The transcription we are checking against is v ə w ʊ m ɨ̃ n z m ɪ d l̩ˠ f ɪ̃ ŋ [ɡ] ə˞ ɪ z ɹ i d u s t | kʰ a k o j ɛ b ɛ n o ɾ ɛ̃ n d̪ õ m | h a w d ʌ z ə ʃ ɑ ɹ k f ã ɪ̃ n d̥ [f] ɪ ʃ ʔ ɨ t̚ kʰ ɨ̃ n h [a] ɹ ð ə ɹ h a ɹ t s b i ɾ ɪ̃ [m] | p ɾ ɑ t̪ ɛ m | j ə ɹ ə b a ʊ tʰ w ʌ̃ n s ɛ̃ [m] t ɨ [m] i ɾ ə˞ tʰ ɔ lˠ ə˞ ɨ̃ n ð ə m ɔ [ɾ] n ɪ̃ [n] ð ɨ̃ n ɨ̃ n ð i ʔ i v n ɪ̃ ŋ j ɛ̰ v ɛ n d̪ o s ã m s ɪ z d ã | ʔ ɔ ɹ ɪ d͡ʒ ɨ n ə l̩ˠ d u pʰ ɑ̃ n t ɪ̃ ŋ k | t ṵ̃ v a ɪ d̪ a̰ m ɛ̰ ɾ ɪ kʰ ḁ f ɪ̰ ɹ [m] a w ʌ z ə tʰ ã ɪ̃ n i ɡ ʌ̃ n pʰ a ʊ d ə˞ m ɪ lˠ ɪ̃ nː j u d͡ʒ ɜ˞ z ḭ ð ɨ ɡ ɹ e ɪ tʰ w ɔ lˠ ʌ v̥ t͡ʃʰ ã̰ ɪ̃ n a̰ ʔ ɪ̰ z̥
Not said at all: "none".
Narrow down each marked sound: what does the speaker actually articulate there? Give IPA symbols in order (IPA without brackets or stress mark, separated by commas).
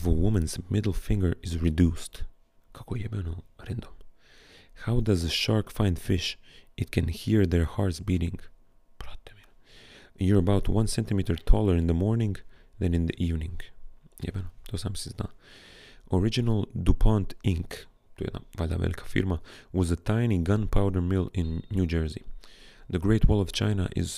ɡ, f, i, ŋ, n, m, ɹ, ŋ, m